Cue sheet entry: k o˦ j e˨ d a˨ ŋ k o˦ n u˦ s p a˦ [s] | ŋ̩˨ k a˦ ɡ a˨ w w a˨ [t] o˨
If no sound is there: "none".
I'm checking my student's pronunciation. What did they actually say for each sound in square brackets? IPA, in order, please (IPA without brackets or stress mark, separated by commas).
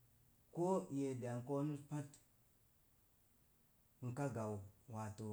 t, t